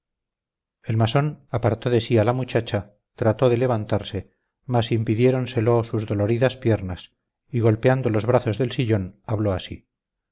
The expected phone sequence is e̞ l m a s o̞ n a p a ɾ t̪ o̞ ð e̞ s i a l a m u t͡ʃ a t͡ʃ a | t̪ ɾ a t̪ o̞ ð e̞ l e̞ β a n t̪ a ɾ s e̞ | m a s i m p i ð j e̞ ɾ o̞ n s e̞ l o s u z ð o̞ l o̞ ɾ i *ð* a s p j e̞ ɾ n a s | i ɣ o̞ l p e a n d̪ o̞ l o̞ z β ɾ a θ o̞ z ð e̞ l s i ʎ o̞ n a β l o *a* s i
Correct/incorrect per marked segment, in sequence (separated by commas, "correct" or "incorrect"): correct, correct